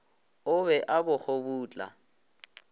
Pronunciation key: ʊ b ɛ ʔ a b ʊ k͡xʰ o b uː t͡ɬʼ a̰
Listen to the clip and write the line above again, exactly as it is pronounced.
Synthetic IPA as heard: ʊ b ɛ ʔ a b ʊ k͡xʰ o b uː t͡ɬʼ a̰